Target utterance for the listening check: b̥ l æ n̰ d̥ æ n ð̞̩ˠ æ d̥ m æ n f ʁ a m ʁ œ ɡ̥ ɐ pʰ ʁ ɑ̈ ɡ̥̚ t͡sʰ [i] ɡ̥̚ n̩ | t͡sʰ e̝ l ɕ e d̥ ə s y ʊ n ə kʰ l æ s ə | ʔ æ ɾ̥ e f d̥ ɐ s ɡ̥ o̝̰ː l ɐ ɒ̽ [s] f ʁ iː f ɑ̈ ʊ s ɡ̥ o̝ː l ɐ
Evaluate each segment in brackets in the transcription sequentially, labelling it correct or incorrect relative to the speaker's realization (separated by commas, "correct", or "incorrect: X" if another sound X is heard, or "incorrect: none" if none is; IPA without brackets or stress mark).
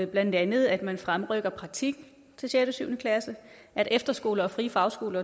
correct, incorrect: none